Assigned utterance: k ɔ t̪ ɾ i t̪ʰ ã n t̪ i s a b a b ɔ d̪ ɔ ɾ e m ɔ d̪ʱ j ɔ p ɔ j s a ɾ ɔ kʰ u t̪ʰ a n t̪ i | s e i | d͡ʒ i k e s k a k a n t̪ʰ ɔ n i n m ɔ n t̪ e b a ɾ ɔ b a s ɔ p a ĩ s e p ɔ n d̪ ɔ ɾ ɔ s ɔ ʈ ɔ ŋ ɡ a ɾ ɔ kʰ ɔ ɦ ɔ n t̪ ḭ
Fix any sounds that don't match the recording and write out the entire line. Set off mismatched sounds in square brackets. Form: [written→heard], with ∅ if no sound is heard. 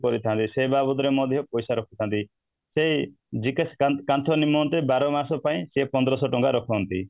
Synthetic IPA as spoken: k ɔ [t̪→∅] ɾ i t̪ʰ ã n t̪ i s [a→e] b a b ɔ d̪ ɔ ɾ e m ɔ d̪ʱ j ɔ p ɔ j s a ɾ ɔ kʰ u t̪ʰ a n t̪ i | s e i | d͡ʒ i k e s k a k a n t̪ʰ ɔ n i [n→∅] m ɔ n t̪ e b a ɾ ɔ [b→m] a s ɔ p a ĩ s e p ɔ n d̪ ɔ ɾ ɔ s ɔ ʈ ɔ ŋ ɡ a ɾ ɔ kʰ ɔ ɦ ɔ n t̪ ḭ